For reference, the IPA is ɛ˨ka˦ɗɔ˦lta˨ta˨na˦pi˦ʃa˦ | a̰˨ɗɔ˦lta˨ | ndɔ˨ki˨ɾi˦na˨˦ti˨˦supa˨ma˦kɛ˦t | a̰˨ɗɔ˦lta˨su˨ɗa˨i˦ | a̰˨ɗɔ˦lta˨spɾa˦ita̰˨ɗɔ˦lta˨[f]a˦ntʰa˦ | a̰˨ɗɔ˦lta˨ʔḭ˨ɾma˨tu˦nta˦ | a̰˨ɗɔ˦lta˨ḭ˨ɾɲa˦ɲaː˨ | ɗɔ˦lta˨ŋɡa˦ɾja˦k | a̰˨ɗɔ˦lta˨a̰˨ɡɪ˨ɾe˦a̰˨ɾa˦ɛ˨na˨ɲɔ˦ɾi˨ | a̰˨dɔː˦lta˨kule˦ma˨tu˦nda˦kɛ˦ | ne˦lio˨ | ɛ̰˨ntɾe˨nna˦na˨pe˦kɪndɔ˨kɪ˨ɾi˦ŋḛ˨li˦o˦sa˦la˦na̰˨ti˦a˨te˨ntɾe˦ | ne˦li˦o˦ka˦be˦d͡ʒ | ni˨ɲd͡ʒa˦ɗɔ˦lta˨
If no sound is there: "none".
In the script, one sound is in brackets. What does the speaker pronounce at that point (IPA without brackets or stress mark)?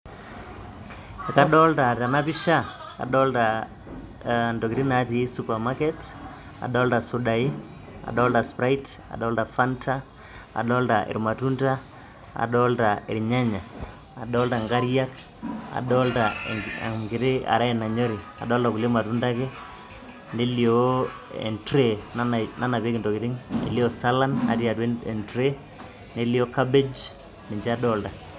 f